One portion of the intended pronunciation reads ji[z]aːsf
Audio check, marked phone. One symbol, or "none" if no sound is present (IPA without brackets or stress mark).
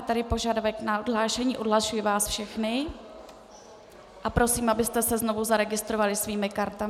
v